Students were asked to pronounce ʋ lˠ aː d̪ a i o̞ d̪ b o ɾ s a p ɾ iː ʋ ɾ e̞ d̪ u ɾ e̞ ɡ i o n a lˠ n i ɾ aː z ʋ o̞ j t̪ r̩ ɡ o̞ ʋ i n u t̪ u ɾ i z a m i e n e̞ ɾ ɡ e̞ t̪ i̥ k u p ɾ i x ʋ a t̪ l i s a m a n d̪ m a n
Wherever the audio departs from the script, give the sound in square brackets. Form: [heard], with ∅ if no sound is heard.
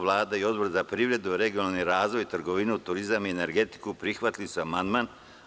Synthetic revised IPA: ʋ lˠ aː d̪ a i o̞ d̪ b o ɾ [z] a p ɾ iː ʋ ɾ e̞ d̪ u ɾ e̞ ɡ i o n a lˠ n i ɾ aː z ʋ o̞ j t̪ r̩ ɡ o̞ ʋ i n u t̪ u ɾ i z a m i e n e̞ ɾ ɡ e̞ t̪ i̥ k u p ɾ i x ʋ a t̪ l i s a m a n d̪ m a n